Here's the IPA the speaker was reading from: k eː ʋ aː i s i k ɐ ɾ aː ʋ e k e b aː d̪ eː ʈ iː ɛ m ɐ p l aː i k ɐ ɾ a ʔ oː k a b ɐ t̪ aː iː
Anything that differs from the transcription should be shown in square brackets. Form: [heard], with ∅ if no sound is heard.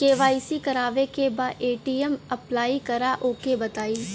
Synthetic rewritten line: k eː ʋ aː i s i k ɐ ɾ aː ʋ e k e b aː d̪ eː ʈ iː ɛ m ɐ p l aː i k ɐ ɾ a ʔ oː k [e] b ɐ t̪ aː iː